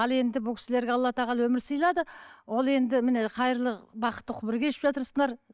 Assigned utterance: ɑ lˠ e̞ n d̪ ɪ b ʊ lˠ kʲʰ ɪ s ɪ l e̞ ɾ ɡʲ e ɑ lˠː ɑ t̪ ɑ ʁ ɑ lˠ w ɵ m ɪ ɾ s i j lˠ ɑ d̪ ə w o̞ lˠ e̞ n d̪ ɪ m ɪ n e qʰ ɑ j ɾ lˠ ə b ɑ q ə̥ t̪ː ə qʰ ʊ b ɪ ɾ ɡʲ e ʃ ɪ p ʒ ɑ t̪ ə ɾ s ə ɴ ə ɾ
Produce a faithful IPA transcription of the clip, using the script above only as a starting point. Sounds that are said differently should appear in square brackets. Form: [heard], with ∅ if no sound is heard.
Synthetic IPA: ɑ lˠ e̞ n d̪ ɪ b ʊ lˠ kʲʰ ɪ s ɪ l e̞ ɾ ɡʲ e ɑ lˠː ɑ t̪ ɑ ʁ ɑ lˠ w ɵ m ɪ ɾ s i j lˠ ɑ d̪ ə w o̞ lˠ e̞ n d̪ ɪ m ɪ n e qʰ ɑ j ɾ lˠ ə b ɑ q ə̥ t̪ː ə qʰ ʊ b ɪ ɾ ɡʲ e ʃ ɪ p ʒ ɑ t̪ ə ɾ s ə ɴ [ɑ] ɾ